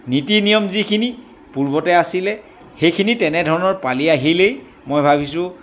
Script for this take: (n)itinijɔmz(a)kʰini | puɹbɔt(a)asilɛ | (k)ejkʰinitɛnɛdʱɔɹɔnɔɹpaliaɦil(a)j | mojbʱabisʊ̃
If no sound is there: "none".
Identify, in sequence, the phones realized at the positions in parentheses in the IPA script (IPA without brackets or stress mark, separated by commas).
n, i, ɛ, x, e